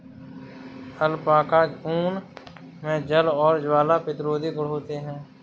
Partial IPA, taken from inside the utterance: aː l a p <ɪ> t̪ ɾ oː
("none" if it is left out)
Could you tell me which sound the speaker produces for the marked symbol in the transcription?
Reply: ɪ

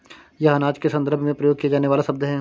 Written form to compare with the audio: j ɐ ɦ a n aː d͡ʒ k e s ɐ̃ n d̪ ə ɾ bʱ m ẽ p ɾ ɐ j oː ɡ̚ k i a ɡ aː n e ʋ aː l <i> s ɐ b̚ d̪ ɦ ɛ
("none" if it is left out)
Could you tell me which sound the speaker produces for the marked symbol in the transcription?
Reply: a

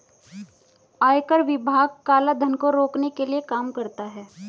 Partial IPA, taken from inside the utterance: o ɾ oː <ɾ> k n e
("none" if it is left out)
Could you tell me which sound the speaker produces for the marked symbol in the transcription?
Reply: none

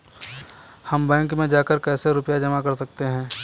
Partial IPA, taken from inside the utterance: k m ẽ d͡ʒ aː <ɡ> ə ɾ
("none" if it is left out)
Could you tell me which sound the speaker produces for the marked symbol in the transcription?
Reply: k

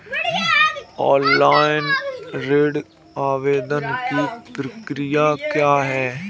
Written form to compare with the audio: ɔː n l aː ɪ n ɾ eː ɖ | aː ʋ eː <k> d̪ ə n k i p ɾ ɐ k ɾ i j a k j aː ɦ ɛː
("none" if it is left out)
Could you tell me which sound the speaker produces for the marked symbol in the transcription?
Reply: none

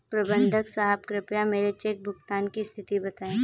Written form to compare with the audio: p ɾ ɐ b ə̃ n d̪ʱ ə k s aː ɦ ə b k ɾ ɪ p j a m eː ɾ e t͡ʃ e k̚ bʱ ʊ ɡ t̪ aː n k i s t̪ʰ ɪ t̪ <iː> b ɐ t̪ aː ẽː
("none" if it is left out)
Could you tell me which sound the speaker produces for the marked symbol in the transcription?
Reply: i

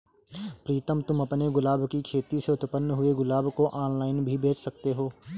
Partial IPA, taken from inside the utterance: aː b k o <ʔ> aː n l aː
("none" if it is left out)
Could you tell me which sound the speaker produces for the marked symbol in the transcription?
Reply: ʔ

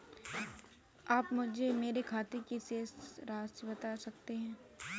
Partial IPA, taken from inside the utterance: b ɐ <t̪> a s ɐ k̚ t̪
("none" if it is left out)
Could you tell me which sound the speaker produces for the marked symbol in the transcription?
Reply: t̪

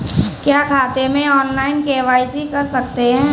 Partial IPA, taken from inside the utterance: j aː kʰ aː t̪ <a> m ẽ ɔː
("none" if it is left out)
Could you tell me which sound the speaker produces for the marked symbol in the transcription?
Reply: e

